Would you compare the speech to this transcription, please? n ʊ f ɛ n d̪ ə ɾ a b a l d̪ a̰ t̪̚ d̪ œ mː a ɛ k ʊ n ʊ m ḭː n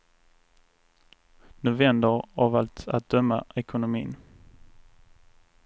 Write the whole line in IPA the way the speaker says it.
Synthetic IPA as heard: n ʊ v ɛ n d̪ ə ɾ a v a l t̪ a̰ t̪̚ d̪ œ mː a ɛ k ʊ n ʊ m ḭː n